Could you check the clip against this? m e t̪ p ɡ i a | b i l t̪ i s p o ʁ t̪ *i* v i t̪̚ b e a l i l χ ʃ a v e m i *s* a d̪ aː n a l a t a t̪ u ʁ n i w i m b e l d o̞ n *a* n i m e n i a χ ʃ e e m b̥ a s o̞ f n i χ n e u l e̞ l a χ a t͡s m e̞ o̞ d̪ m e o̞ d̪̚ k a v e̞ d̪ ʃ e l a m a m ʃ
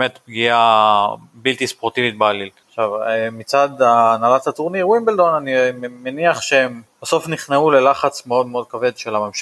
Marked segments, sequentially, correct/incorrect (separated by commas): correct, incorrect, correct